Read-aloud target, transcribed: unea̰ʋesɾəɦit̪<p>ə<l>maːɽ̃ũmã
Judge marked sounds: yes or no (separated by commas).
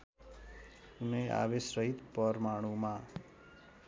yes, no